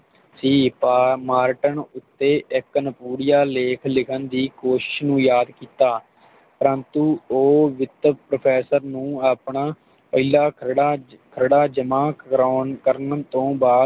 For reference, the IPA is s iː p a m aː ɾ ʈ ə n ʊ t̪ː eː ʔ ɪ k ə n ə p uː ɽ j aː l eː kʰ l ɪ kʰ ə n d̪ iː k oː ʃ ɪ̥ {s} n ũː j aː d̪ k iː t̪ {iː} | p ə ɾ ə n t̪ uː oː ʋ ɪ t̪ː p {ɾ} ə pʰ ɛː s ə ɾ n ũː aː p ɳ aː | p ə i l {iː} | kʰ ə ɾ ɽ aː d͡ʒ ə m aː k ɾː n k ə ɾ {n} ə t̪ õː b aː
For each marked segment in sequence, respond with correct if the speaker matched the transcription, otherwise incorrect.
incorrect: ʃ, incorrect: aː, correct, incorrect: aː, correct

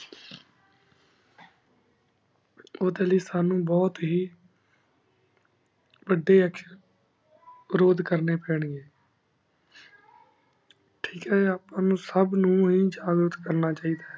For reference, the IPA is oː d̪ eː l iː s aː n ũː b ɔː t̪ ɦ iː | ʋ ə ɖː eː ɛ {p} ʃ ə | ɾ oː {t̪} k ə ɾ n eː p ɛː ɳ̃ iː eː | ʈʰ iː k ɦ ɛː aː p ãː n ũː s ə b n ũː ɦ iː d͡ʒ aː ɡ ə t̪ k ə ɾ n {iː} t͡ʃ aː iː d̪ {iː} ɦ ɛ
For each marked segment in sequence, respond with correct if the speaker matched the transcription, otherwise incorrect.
incorrect: k, incorrect: d̪, incorrect: aː, incorrect: aː

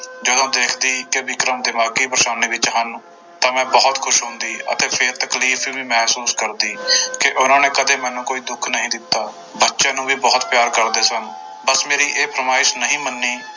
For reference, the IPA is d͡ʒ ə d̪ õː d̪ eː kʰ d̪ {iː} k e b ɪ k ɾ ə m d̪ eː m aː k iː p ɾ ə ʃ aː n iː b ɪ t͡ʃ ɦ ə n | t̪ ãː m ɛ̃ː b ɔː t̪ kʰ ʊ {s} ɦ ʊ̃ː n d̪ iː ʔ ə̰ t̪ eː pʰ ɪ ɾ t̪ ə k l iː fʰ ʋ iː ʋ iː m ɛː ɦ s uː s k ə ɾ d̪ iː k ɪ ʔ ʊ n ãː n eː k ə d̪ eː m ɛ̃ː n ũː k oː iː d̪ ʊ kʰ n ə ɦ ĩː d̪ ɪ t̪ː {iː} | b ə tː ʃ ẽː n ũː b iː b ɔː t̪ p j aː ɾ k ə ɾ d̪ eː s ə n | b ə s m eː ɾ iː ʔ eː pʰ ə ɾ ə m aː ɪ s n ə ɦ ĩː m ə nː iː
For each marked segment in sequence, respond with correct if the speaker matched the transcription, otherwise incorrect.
correct, incorrect: ʃ, incorrect: aː

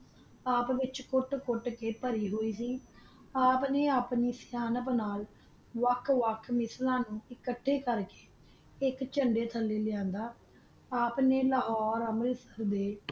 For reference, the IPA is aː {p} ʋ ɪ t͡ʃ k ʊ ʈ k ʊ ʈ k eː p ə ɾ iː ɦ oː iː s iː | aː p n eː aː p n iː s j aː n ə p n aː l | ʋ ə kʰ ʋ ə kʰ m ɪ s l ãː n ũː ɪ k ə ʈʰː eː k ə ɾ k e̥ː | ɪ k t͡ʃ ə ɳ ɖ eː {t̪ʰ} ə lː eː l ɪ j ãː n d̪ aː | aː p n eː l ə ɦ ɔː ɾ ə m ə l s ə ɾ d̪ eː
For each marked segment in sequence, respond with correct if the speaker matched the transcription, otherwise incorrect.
correct, correct

